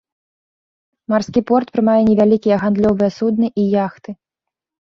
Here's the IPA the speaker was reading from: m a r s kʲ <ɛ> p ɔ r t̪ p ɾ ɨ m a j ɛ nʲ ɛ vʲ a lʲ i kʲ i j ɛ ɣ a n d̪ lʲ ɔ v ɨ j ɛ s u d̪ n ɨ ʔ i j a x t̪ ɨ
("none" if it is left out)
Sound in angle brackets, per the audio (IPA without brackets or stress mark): i